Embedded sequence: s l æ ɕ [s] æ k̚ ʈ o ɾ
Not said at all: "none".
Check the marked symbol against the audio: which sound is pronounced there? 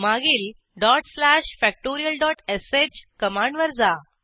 f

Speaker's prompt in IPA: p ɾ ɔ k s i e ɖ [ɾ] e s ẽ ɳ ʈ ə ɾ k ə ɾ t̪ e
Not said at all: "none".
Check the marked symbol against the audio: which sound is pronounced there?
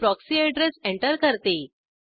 ɾ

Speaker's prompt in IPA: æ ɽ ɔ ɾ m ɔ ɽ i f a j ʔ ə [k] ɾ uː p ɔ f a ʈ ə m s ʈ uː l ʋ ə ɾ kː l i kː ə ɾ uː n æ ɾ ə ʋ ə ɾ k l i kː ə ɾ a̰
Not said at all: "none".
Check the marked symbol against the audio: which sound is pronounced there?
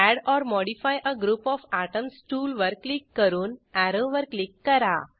ɡ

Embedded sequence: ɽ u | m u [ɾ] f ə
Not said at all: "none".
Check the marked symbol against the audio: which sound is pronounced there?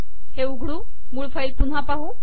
ɭ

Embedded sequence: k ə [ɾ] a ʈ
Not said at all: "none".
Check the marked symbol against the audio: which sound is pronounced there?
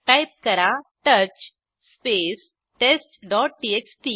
ɾ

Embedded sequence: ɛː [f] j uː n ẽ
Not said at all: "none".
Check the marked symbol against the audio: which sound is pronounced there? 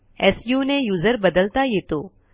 s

